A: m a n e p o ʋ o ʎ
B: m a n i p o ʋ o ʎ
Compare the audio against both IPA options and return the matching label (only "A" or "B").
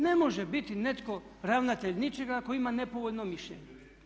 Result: A